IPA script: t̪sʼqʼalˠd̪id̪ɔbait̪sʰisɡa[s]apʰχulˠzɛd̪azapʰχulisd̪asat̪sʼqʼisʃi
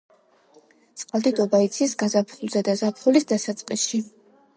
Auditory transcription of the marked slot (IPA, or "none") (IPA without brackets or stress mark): z